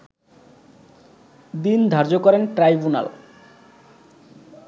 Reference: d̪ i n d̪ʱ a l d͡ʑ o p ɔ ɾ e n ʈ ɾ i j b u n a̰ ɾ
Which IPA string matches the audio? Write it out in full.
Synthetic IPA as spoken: d̪ i n d̪ʱ a ɾ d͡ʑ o k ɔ ɾ e n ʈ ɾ a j b u n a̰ l